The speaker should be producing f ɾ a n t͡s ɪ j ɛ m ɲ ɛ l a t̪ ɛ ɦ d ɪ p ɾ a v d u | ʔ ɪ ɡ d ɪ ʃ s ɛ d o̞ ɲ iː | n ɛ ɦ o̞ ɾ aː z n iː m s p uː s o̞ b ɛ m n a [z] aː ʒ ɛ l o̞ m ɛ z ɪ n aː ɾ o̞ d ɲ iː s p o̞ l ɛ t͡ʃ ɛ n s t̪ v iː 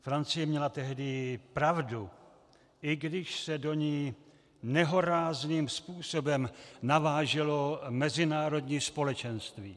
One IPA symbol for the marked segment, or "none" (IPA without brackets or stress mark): v